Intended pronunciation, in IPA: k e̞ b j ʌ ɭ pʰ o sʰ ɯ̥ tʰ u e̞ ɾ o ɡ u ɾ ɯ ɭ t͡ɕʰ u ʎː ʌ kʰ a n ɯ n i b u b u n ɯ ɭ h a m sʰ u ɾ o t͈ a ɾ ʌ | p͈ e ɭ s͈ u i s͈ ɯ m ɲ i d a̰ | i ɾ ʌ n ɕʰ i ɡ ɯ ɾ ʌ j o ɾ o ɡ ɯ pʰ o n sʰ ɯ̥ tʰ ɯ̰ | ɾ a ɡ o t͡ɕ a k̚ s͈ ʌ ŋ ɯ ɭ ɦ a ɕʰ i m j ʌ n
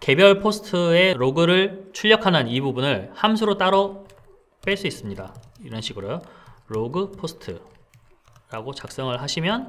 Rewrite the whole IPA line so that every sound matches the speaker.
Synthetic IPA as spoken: k e̞ b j ʌ ɭ pʰ o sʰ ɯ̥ tʰ ɯ e̞ ɾ o ɡ ɯ ɾ ɯ ɭ t͡ɕʰ u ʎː ʌ kʰ a n ɯ n i b u b u n ɯ ɭ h a m sʰ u ɾ o t͈ a ɾ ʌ | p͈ e ɭ s͈ u i s͈ ɯ m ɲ i d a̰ | i ɾ ʌ n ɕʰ i ɡ ɯ ɾ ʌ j o ɾ o ɡ ɯ pʰ o sʰ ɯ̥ tʰ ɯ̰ | ɾ a ɡ o t͡ɕ a k̚ s͈ ʌ ŋ ɯ ɭ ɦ a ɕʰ i m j ʌ n